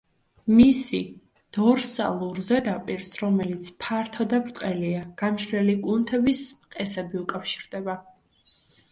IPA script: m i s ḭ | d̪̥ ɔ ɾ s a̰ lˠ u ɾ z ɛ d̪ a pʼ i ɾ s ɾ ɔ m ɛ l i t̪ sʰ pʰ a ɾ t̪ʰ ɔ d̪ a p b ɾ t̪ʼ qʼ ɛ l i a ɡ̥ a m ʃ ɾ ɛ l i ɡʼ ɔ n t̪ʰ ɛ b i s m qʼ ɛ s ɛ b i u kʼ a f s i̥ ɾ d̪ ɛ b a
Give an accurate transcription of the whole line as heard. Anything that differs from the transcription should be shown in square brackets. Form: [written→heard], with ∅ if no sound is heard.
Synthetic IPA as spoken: m i s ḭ | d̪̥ ɔ ɾ s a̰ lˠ u ɾ z ɛ d̪ a pʼ i ɾ s ɾ ɔ m ɛ l i t̪ sʰ pʰ a ɾ t̪ʰ ɔ d̪ a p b ɾ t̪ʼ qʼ ɛ l i a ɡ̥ a m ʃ ɾ ɛ l i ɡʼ [ɔ→u] n t̪ʰ ɛ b i s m qʼ ɛ s ɛ b i u kʼ a f [s→ʃ] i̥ ɾ d̪ ɛ b a